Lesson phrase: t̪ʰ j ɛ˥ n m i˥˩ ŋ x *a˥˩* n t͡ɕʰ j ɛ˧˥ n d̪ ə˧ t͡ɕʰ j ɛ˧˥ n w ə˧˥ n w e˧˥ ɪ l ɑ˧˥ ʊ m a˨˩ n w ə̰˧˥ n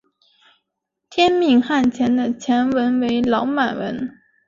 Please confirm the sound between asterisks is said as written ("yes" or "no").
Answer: yes